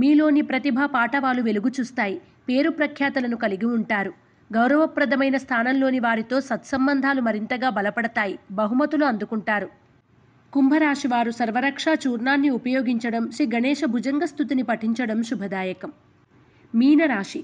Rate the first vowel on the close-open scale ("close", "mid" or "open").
close